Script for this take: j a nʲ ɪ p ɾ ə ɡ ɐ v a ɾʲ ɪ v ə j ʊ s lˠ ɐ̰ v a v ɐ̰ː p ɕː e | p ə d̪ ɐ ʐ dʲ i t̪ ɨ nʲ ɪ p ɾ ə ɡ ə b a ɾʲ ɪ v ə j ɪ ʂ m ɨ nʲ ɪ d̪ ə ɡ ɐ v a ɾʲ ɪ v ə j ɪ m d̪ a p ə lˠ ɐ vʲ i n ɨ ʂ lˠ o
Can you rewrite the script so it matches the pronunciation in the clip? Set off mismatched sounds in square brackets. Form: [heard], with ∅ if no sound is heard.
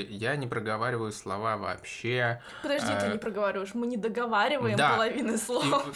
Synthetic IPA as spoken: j a nʲ ɪ p ɾ ə ɡ ɐ v a ɾʲ ɪ v ə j ʊ s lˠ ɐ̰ v a v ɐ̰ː p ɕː e | p ə d̪ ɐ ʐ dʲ i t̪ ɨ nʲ ɪ p ɾ ə ɡ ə [v] a ɾʲ ɪ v ə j ɪ ʂ m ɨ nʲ ɪ d̪ ə ɡ ɐ v a ɾʲ ɪ v ə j ɪ m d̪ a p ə lˠ ɐ vʲ i n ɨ [s] lˠ o